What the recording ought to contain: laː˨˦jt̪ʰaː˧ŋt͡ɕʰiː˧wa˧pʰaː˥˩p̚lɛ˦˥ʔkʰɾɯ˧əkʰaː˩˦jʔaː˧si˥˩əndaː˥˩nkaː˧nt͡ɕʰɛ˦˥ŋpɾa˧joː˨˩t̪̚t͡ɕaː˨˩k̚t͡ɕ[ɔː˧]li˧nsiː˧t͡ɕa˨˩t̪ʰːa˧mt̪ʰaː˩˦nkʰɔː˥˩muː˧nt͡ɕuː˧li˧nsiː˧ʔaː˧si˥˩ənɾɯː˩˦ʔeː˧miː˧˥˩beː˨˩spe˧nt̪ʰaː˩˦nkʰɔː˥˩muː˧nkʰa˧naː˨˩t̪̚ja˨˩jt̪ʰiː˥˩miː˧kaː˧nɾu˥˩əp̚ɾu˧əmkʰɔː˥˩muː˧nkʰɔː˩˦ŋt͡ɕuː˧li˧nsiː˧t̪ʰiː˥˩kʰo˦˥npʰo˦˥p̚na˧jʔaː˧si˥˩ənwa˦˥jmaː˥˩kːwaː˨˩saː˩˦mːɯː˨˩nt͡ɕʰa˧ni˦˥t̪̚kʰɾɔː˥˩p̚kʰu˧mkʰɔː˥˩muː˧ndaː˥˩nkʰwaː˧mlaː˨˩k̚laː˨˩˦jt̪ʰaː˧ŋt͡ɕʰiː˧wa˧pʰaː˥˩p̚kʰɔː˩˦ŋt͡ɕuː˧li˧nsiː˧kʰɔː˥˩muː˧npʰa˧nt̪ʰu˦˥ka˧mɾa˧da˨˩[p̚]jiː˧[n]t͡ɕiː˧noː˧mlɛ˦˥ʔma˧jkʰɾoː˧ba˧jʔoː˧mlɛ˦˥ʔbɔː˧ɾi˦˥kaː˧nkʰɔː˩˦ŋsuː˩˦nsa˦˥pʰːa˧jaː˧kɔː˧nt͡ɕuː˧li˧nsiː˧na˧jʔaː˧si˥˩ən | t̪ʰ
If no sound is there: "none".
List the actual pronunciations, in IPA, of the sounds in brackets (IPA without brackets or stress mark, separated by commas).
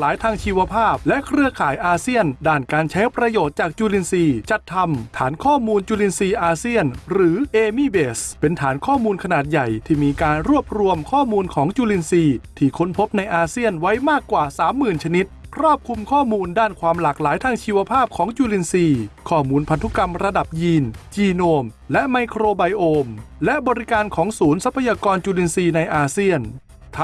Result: uː˧, p̚, n